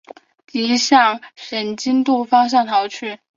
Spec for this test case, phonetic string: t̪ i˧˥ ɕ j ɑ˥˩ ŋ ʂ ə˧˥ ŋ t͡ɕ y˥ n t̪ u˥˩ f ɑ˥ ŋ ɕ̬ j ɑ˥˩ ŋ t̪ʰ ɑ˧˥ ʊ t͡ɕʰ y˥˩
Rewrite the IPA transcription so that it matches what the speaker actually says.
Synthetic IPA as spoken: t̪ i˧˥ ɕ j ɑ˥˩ ŋ ʂ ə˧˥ n t͡ɕ i˥ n t̪ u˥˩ f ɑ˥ ŋ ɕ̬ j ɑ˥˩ ŋ t̪ʰ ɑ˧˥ ʊ t͡ɕʰ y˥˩